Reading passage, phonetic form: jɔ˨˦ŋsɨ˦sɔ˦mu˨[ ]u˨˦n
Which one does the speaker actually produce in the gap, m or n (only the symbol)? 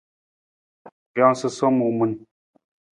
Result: m